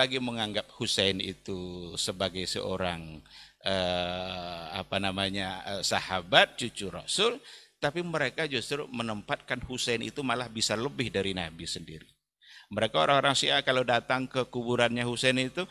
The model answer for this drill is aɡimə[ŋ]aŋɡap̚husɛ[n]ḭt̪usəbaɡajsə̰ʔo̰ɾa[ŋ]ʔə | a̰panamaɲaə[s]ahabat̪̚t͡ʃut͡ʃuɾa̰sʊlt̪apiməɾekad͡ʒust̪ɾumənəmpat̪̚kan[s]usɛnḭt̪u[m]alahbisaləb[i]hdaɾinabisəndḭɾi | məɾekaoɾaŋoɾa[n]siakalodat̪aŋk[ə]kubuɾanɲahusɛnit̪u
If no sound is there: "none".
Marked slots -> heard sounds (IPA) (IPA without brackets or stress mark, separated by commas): ŋ, n, ŋ, s, h, m, ɪ, ŋ, ə